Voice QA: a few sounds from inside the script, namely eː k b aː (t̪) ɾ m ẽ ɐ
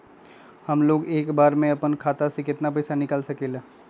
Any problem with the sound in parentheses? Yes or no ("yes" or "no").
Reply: yes